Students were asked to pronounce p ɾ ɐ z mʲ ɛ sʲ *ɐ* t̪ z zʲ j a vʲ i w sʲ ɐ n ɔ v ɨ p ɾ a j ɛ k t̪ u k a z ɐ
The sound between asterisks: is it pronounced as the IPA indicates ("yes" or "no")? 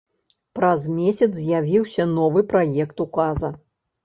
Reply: yes